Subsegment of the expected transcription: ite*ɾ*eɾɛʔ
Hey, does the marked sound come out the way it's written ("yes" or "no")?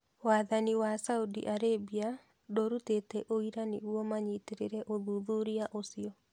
yes